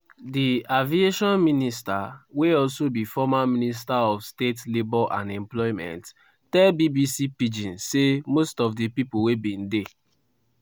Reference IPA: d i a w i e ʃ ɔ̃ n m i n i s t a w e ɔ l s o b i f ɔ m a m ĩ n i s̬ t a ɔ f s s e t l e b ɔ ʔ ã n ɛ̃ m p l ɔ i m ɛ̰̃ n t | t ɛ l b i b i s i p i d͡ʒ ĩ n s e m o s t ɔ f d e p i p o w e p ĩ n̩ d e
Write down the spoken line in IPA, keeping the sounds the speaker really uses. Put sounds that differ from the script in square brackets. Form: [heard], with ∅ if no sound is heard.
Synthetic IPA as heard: d i a [v] i e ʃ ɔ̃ n m i n i s t a w e ɔ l s o b i f ɔ m a m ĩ n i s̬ t a ɔ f s [t] e t l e b ɔ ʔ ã n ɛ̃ m p l ɔ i m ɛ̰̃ n t | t ɛ l b i b i s i p i d͡ʒ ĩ n s e m o s t ɔ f d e p i p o w e [b] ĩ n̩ d e